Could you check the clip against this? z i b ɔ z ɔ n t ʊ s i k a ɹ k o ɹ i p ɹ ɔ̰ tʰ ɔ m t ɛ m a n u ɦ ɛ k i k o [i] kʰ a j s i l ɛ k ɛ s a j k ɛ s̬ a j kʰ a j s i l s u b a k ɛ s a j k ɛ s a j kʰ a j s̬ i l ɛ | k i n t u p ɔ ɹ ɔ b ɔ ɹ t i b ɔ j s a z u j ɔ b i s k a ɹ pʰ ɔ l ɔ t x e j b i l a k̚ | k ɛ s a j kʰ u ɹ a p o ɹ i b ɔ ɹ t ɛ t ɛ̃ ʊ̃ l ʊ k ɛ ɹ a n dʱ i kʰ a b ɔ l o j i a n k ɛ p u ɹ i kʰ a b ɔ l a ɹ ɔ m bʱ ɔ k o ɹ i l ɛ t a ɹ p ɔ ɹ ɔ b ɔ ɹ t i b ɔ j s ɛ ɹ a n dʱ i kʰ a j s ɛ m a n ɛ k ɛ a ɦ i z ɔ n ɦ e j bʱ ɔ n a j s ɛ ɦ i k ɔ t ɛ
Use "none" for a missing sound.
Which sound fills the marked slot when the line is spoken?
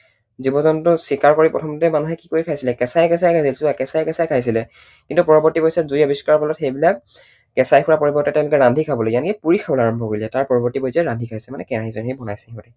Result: i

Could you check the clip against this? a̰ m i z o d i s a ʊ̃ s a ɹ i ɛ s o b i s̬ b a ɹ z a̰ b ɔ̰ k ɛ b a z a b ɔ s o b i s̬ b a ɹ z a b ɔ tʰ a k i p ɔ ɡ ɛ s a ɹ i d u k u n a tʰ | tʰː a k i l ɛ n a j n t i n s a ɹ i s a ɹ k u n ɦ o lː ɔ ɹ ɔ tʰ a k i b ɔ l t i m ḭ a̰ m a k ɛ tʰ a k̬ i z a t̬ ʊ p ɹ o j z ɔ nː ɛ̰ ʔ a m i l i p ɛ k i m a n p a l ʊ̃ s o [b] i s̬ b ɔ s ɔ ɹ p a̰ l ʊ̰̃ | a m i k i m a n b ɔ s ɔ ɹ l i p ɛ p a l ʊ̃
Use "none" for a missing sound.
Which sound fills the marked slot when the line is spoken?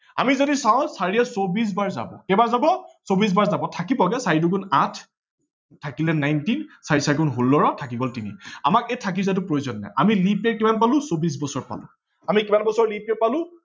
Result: b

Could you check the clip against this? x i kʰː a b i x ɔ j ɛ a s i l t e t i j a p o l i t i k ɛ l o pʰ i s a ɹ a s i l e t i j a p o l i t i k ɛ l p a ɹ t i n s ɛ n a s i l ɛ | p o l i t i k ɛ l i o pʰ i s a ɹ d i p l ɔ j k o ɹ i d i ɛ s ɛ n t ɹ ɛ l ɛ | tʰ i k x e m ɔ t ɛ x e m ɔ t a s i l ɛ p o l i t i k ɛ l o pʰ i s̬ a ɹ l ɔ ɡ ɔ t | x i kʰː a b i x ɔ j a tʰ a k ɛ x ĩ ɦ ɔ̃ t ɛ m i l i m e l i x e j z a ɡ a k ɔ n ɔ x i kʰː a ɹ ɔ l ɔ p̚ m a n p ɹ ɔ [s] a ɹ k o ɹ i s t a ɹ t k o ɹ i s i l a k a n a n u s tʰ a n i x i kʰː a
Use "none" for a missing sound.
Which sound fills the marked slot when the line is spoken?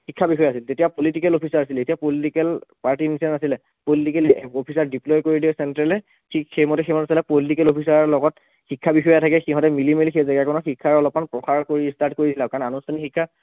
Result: x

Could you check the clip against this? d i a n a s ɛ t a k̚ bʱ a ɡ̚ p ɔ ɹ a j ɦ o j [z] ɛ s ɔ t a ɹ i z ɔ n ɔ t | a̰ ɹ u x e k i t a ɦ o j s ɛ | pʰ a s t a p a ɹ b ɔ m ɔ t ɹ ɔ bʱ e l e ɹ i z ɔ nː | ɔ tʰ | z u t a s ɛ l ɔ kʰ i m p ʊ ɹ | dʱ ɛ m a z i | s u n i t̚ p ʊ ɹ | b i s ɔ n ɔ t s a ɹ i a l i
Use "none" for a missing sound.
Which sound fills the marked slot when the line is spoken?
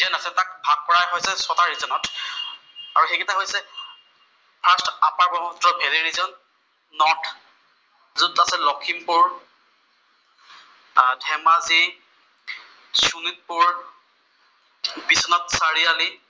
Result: s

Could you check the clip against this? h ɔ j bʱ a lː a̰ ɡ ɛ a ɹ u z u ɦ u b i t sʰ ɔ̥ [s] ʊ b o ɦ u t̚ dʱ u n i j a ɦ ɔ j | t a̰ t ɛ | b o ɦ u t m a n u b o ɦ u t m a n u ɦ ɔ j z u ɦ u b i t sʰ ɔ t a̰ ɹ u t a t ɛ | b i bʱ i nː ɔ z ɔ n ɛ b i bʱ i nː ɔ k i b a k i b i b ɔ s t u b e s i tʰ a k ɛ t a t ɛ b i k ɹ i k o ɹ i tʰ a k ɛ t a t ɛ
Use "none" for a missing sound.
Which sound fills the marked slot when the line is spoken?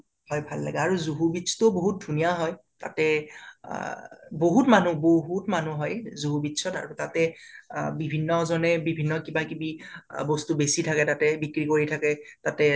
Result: t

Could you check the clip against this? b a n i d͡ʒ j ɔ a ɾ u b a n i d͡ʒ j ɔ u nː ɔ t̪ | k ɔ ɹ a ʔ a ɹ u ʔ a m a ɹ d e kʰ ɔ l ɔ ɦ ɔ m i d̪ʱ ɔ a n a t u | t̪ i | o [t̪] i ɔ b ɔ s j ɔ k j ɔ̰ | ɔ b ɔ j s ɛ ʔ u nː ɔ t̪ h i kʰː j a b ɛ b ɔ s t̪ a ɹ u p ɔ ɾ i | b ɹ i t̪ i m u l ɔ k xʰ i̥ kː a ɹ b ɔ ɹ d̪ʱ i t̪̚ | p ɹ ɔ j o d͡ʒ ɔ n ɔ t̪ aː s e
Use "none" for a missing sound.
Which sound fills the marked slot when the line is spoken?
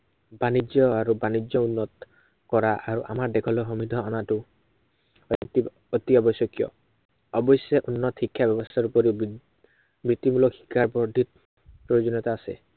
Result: t̪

